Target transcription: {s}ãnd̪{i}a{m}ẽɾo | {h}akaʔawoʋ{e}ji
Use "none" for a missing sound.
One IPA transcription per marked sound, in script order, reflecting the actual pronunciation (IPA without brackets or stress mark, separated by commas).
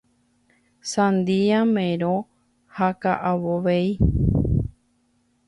s, i, m, h, e